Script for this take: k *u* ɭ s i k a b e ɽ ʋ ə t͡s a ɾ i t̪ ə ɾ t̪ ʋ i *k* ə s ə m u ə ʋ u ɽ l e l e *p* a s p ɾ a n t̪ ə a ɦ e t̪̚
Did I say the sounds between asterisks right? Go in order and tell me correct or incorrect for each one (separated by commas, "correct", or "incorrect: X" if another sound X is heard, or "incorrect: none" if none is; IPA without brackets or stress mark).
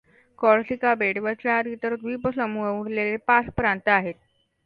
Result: incorrect: ɔ, incorrect: p, correct